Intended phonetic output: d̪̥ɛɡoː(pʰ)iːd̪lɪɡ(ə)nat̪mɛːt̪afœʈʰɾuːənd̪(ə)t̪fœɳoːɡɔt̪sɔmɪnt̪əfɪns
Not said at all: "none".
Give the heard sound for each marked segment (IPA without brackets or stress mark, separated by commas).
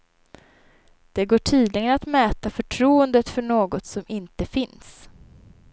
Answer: ʈʰ, ə, ə